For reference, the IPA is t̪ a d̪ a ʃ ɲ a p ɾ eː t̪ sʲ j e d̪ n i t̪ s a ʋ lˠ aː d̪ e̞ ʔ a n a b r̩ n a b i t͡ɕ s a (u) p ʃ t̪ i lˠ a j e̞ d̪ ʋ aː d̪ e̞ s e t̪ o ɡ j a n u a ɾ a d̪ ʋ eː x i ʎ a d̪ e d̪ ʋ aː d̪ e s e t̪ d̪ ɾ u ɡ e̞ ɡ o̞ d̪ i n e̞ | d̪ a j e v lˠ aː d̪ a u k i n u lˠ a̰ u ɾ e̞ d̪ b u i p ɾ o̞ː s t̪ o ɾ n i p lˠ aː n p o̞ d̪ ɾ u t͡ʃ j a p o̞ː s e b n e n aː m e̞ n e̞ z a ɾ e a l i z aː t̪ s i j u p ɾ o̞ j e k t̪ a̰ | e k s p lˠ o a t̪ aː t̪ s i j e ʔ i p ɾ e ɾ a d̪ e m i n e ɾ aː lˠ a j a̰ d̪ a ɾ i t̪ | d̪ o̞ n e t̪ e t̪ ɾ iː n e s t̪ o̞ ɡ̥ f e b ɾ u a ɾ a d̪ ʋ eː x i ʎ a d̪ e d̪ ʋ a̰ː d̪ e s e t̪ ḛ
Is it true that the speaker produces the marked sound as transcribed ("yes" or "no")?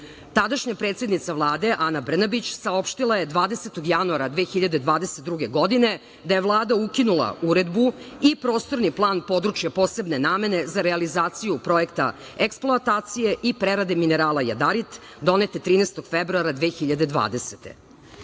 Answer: no